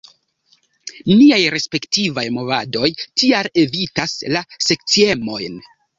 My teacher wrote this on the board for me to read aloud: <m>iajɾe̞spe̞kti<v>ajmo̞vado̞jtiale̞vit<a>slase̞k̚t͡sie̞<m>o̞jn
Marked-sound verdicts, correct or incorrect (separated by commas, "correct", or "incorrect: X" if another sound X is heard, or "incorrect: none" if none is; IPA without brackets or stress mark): incorrect: n, correct, correct, correct